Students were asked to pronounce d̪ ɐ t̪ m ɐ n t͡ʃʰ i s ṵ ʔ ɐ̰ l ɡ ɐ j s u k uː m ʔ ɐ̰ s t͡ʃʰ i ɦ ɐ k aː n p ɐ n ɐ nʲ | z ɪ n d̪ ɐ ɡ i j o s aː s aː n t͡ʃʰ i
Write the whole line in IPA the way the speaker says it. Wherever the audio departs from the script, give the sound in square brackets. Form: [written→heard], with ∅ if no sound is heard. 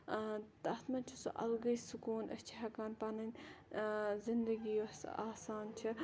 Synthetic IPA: [d̪→t̪] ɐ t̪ m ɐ n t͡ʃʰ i s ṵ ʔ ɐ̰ l ɡ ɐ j s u k uː [m→n] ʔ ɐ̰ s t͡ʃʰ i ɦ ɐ k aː n p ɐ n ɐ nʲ | z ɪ n d̪ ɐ ɡ i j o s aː s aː n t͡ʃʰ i